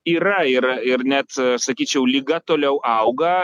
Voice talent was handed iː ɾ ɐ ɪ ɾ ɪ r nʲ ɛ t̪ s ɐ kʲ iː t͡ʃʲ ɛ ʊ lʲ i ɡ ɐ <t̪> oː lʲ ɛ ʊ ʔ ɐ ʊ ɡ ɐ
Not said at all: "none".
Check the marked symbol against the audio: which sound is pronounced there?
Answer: t̪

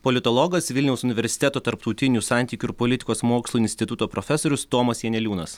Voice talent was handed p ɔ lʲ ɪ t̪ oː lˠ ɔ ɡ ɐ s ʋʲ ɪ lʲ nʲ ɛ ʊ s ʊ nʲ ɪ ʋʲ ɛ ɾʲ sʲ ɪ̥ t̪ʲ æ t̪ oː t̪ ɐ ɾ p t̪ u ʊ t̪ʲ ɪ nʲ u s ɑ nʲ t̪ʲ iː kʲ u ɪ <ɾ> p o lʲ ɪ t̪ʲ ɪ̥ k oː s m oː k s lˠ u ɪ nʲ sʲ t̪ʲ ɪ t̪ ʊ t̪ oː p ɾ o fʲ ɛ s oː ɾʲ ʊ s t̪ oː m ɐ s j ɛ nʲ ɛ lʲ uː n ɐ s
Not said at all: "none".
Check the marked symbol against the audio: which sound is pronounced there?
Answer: ɾ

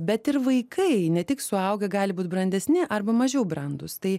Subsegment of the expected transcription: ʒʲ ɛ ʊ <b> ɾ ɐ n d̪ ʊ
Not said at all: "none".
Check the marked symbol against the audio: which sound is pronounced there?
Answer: b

